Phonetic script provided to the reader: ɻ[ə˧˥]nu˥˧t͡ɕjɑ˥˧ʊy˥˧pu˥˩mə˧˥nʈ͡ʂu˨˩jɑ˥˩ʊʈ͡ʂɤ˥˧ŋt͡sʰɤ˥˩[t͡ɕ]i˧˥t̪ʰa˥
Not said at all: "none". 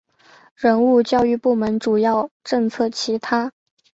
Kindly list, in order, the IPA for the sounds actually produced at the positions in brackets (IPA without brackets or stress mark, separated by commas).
ə˧˥, t͡ɕʰ